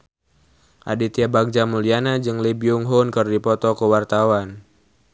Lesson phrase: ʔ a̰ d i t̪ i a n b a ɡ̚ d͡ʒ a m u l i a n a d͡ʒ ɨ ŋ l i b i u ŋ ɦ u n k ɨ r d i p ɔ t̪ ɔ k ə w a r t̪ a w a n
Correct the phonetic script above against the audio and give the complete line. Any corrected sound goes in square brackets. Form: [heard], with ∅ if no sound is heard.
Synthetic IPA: ʔ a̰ d i t̪ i a [∅] b a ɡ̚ d͡ʒ a m u l i a n a d͡ʒ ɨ ŋ l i b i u ŋ ɦ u n k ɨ r d i p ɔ t̪ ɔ k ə w a r t̪ a w a n